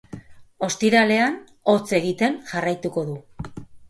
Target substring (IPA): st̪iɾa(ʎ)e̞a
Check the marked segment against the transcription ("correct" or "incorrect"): incorrect